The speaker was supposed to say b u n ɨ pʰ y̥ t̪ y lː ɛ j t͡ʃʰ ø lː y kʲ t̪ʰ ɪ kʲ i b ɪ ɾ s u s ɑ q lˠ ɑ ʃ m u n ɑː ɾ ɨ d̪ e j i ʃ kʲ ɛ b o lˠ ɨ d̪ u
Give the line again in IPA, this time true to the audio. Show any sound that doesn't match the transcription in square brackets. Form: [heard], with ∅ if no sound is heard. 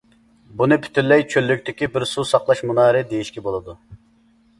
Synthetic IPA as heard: b u n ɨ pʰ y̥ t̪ y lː ɛ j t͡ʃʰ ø lː y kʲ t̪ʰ ɪ kʲ i b ɪ ɾ s u s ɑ q lˠ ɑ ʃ m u n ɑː ɾ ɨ d̪ e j i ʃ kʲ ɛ b o lˠ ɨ d̪ u